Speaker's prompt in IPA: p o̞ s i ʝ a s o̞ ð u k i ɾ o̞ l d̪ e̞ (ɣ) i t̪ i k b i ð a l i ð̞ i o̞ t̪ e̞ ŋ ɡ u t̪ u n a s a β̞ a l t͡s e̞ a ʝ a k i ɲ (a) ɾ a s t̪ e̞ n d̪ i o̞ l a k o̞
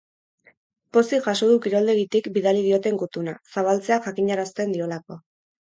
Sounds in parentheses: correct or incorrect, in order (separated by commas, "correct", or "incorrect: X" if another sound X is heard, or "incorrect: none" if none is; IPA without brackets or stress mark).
correct, correct